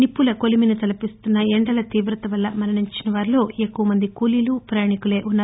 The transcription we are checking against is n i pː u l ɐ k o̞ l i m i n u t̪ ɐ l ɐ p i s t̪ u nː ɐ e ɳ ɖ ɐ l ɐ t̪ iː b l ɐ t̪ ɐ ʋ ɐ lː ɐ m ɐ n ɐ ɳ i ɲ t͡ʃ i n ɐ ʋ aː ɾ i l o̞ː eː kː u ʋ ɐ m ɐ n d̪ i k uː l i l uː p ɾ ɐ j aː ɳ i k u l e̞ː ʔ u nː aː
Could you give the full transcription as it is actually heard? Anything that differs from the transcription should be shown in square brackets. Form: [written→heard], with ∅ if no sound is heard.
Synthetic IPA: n i pː u l ɐ k o̞ l i m i n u t̪ ɐ l ɐ p i s t̪ u nː ɐ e ɳ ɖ ɐ l ɐ t̪ iː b [l→ɾ] ɐ t̪ ɐ ʋ ɐ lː ɐ m ɐ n ɐ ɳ i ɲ t͡ʃ i n ɐ ʋ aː ɾ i l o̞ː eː kː u ʋ ɐ m ɐ n d̪ i k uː l i l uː p ɾ ɐ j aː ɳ i k u l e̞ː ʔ u nː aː